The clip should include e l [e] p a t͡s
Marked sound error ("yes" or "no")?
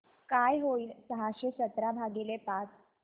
no